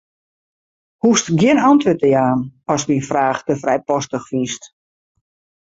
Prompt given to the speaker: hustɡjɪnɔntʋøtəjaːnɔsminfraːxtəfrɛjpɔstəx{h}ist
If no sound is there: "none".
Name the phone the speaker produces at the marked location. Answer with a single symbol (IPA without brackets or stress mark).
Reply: f